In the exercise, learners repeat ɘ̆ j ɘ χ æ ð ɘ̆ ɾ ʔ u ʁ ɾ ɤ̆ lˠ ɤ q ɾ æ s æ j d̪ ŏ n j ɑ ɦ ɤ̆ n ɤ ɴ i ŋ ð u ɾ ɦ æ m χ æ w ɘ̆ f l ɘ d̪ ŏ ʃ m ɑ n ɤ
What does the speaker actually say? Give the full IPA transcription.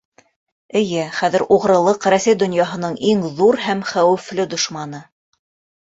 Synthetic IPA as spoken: ɘ̆ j ɘ χ æ ð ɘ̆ ɾ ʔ u ʁ ɾ ɤ̆ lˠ ɤ q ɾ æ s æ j d̪ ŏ n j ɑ ɦ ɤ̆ n ɤ ɴ i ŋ ð u ɾ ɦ æ m χ æ w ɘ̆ f l ɘ d̪ ŏ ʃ m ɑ n ɤ